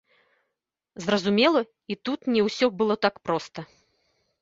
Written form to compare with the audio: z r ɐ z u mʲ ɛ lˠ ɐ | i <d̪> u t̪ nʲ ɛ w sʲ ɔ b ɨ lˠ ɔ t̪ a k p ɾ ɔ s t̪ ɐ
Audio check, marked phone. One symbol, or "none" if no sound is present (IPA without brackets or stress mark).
t̪